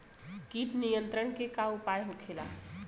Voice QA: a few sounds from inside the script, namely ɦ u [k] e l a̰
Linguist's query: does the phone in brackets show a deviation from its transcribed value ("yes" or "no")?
yes